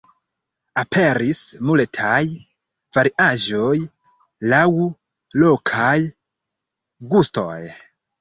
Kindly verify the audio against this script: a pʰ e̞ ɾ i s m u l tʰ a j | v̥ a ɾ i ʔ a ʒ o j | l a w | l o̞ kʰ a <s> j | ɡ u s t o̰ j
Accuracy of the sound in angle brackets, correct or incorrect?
incorrect: none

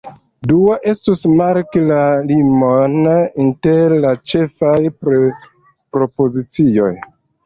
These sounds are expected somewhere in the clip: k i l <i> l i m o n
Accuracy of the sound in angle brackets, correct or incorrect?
incorrect: a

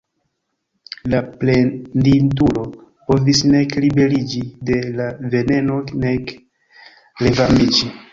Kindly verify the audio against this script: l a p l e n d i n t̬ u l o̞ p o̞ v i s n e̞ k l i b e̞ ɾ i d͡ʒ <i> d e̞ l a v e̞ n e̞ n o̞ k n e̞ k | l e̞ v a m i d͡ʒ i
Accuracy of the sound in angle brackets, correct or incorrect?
correct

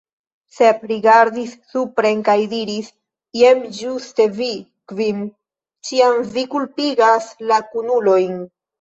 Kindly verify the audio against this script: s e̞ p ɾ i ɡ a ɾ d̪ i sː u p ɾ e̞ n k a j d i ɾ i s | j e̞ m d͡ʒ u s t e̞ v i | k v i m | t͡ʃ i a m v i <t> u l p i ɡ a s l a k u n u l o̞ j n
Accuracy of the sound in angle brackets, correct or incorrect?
incorrect: k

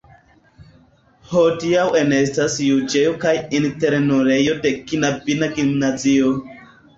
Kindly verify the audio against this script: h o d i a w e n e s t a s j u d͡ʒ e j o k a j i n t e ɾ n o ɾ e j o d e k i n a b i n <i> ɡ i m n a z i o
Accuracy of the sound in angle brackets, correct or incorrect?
incorrect: a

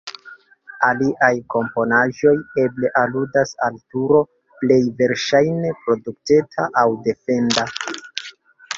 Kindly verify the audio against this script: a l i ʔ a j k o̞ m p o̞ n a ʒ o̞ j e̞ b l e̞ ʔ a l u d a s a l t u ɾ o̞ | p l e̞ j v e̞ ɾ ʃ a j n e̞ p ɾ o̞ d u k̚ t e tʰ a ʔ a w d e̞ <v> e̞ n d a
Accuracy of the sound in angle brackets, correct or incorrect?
incorrect: f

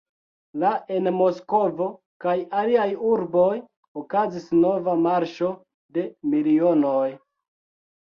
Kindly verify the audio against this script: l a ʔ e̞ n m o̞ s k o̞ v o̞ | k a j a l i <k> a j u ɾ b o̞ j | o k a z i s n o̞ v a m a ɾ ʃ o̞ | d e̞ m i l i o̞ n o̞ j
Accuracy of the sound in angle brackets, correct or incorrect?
incorrect: none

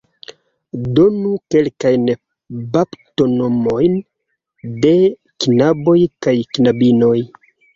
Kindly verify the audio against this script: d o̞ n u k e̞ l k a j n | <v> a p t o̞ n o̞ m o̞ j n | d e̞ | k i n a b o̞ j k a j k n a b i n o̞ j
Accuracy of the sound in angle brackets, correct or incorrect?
incorrect: b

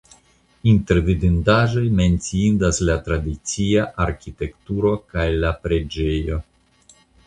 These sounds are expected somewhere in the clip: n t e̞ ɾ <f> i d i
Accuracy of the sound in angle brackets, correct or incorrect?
incorrect: v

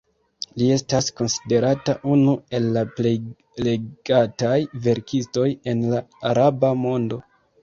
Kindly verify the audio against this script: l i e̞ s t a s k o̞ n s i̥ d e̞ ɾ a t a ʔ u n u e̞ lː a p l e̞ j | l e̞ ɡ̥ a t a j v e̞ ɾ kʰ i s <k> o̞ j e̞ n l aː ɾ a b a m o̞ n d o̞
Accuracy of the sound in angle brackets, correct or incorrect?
incorrect: t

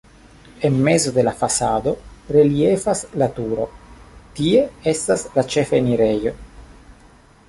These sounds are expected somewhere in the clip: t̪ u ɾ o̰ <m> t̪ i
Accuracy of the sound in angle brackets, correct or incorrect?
incorrect: none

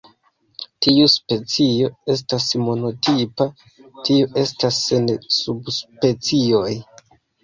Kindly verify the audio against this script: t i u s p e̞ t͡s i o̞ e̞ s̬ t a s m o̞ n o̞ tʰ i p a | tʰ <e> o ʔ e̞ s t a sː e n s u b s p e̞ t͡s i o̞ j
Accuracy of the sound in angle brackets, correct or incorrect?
incorrect: i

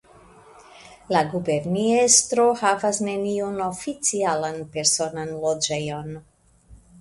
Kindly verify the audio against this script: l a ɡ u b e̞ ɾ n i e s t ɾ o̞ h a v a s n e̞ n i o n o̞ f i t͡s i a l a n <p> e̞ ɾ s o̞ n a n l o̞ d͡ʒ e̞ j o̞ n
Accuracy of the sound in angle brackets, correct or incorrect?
correct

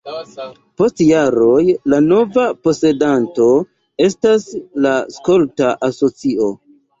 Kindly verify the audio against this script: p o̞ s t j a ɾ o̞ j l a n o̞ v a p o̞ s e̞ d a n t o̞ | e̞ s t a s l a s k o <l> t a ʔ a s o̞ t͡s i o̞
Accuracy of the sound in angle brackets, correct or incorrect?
correct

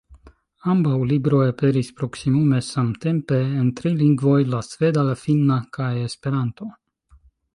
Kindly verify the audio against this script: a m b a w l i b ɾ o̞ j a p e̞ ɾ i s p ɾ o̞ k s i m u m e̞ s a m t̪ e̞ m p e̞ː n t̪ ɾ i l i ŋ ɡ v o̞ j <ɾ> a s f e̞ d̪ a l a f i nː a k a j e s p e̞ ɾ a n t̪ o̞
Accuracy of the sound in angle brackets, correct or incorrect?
incorrect: l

